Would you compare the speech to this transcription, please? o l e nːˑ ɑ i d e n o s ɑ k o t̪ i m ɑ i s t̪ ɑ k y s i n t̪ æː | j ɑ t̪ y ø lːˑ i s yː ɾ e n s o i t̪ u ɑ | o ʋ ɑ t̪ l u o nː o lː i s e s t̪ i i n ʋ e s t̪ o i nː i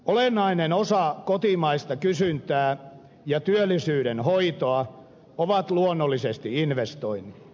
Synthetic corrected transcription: o l e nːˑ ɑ i n e n o s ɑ k o t̪ i m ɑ i s t̪ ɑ k y s y n t̪ æː | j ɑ t̪ y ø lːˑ i s yː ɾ e n h o i t̪ o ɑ | o ʋ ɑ t̪ l u o nː o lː i s e s t̪ i i n ʋ e s t̪ o i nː i